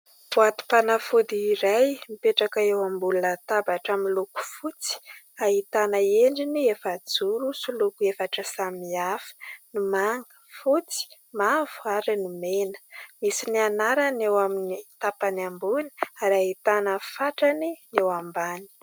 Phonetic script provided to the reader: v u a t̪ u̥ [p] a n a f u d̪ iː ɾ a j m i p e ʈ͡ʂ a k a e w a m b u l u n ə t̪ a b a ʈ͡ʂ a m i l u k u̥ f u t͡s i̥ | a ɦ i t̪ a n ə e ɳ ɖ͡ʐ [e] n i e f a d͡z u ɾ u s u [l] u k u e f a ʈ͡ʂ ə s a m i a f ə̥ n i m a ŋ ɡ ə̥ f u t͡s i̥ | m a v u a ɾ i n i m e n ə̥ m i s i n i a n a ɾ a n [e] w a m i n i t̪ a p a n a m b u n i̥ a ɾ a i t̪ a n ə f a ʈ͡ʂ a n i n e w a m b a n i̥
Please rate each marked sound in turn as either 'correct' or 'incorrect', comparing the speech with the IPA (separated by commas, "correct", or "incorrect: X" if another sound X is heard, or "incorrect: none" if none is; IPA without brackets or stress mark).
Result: correct, incorrect: i, correct, correct